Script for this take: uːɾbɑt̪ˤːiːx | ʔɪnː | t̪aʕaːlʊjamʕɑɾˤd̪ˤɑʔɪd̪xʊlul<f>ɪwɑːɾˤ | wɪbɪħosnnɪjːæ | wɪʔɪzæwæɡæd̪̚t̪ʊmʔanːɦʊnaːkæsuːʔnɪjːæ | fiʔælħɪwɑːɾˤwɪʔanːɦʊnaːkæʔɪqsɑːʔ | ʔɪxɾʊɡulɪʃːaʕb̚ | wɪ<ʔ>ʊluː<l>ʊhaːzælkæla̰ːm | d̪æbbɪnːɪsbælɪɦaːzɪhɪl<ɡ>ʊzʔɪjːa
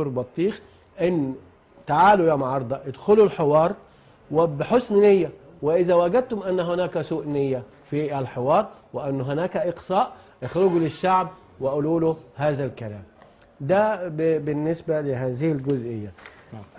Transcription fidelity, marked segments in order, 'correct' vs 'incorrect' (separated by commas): incorrect, correct, correct, correct